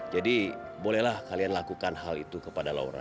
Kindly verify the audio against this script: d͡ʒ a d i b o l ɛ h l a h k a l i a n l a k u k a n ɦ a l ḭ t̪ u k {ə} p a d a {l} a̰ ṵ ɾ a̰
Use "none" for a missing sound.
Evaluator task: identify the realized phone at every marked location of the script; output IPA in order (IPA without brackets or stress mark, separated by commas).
ə, l